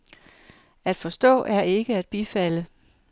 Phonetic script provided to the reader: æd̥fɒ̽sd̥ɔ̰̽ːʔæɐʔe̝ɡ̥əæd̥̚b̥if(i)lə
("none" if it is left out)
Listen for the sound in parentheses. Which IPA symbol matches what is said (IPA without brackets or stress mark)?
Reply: æ